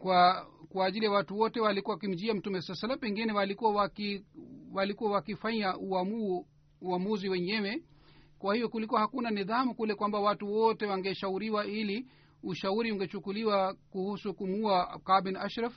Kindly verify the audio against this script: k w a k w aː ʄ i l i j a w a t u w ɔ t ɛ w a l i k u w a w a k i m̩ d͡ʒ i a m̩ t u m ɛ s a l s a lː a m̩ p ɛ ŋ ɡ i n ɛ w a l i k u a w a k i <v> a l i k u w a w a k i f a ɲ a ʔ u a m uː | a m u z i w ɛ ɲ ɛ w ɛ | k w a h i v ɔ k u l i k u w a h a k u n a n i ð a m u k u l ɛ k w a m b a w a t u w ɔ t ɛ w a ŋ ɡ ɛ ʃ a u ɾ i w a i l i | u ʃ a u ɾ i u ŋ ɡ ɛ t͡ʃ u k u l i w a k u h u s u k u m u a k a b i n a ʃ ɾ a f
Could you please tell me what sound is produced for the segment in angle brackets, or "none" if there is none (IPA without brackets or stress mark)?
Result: w